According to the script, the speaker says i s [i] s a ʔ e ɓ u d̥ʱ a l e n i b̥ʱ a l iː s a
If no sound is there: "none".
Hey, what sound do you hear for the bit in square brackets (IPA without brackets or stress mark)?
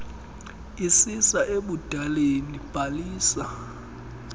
i